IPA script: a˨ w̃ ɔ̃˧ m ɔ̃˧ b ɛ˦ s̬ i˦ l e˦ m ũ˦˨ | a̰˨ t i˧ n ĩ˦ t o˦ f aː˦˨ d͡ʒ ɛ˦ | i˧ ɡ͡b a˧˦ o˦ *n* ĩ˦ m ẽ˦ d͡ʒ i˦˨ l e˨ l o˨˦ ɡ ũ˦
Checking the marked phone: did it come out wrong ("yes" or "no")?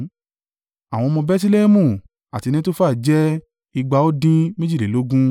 yes